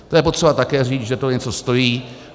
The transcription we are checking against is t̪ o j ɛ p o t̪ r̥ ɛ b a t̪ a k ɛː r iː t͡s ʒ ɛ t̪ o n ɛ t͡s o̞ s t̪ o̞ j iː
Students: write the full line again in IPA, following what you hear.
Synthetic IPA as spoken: t̪ o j ɛ p o t̪ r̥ ɛ b a t̪ a k ɛː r iː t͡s ʒ ɛ t̪ o ɲ ɛ t͡s o̞ s t̪ o̞ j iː